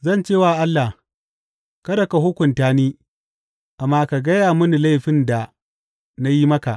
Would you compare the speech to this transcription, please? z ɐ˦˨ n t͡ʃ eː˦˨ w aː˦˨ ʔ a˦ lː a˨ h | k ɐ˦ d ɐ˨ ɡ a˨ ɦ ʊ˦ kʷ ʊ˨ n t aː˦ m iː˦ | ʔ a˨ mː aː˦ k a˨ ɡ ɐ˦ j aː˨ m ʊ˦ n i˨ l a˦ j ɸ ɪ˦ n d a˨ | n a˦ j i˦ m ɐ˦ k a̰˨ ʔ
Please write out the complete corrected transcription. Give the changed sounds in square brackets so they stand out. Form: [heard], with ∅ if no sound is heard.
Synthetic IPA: z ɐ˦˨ n t͡ʃ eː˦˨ w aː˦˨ ʔ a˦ lː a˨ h | k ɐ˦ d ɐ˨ [k] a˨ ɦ ʊ˦ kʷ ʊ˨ n t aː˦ [n] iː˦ | ʔ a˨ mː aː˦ k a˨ ɡ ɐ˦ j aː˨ m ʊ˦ n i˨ l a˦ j ɸ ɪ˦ n d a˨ | n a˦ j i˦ m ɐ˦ k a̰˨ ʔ